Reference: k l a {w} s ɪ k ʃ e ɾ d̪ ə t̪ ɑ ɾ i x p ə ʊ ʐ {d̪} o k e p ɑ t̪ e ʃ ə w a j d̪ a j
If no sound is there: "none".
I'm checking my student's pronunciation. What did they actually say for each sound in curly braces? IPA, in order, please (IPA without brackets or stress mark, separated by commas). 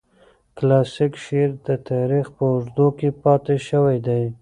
none, d̪